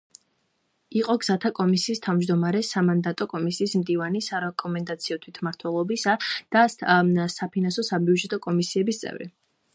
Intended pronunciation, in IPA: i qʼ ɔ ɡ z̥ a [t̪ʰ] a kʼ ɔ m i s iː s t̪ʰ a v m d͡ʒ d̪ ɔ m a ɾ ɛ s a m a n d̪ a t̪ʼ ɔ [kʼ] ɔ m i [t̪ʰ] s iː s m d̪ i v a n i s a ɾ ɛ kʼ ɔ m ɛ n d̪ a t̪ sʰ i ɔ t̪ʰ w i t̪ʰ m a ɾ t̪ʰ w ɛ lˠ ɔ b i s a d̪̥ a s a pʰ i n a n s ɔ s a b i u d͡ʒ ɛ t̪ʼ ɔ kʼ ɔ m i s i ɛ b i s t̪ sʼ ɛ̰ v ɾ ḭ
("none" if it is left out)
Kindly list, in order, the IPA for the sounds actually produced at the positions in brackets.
t̪ʰ, kʼ, none

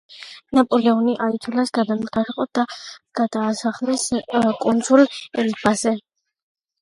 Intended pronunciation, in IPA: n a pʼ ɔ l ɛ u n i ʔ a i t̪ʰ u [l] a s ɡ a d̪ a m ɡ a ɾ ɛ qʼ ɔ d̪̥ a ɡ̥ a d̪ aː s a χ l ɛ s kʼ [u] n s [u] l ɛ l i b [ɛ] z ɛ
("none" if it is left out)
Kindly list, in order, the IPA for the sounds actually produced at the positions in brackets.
l, u, u, a

